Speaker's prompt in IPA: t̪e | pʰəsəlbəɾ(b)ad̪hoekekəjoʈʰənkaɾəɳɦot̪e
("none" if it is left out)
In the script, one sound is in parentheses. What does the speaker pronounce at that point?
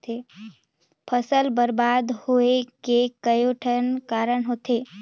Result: b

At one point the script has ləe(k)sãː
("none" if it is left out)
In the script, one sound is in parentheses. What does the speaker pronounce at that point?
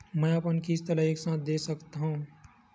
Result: k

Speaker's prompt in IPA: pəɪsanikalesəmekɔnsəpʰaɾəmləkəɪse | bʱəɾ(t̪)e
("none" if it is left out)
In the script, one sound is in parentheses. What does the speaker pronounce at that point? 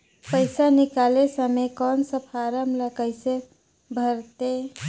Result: t̪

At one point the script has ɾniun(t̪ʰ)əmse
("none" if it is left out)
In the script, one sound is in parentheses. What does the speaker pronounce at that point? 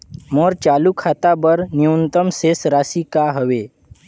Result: t̪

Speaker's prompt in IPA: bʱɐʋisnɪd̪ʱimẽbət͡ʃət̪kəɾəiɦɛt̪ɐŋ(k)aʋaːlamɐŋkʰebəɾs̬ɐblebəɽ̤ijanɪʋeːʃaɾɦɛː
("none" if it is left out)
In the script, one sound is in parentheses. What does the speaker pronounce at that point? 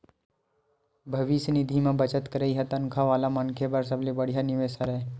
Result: kʰ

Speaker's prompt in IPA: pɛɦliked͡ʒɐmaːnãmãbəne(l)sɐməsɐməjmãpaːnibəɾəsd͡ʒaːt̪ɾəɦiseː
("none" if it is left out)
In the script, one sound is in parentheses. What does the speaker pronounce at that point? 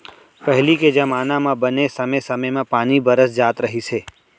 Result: none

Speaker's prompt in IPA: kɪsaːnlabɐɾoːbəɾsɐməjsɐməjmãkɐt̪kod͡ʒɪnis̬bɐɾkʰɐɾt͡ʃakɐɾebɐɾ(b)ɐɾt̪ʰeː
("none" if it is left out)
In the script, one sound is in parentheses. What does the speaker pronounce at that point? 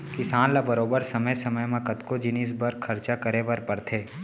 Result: p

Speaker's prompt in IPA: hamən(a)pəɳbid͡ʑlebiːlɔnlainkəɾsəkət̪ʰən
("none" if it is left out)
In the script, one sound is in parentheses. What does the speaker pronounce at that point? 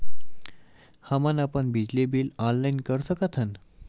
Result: a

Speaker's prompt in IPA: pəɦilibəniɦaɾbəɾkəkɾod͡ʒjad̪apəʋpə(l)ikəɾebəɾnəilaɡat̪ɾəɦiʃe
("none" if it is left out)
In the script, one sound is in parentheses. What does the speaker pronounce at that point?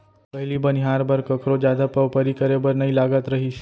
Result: ɾ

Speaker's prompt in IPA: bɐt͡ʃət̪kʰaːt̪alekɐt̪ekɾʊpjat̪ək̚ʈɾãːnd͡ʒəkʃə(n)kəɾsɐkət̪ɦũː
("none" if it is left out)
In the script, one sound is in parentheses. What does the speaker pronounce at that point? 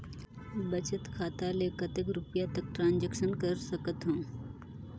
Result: n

